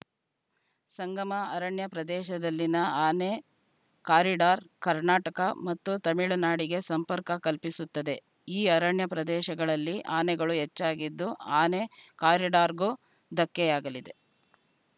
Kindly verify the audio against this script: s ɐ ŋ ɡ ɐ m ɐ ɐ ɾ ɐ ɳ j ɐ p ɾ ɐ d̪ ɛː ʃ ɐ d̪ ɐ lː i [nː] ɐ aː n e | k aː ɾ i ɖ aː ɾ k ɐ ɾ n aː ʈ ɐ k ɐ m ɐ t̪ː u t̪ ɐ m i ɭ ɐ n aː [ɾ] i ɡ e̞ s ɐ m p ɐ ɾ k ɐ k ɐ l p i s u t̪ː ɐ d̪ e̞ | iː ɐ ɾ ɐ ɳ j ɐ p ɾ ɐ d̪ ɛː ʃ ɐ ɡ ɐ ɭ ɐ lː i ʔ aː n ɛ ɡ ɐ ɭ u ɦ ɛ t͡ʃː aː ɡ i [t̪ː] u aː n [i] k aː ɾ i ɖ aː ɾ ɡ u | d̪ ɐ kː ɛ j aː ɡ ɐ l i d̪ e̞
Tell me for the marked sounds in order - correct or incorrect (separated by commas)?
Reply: incorrect, incorrect, incorrect, incorrect